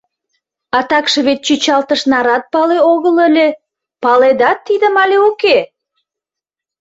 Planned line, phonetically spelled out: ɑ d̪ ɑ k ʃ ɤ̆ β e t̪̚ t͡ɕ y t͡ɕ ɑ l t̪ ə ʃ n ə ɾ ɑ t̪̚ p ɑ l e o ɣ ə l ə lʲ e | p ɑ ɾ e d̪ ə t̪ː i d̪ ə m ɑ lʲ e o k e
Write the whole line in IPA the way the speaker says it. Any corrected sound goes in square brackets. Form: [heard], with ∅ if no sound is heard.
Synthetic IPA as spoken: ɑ [t̪] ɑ k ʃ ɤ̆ β e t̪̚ t͡ɕ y t͡ɕ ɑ l t̪ ə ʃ n [ɑ] ɾ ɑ t̪̚ p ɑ l e o ɣ ə l ə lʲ e | p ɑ [l] e d̪ [ɑ] t̪ː i d̪ ə m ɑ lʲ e o k e